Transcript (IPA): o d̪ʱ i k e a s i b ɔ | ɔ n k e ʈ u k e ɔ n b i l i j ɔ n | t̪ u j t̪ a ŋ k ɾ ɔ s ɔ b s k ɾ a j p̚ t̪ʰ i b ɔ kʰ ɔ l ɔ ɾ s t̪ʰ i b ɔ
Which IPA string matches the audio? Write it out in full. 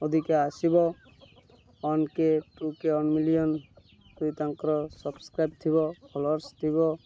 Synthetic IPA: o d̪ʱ i k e a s i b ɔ | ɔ n k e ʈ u k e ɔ n m i l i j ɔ n | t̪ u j t̪ a ŋ k ɾ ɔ s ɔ b s k ɾ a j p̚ t̪ʰ i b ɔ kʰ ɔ l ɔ ɾ s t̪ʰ i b ɔ